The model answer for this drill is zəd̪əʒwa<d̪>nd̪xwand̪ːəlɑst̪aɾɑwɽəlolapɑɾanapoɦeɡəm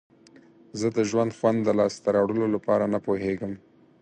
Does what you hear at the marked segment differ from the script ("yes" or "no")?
yes